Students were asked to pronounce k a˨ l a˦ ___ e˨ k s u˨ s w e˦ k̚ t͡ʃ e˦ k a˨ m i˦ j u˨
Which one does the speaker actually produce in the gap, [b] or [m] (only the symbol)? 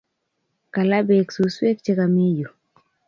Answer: b